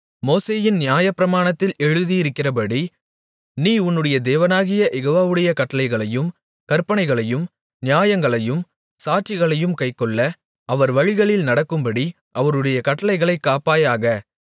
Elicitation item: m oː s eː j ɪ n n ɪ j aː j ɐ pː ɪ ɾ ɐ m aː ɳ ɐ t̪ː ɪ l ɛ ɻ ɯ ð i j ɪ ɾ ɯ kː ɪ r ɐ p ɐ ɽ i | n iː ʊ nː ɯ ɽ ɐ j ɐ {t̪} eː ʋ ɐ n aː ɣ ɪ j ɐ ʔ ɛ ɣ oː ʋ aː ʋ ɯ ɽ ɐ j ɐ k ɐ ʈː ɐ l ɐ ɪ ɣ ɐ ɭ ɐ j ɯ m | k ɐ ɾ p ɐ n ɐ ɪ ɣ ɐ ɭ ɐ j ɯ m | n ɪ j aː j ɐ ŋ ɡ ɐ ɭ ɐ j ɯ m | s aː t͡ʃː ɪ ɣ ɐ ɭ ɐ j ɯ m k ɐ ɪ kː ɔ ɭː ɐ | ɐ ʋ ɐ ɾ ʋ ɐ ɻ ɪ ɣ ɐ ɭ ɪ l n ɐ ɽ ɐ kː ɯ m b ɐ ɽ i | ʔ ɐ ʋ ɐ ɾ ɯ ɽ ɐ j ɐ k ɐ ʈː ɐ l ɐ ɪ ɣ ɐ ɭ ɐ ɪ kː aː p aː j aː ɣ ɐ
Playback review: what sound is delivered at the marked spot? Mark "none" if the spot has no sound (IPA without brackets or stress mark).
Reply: d̪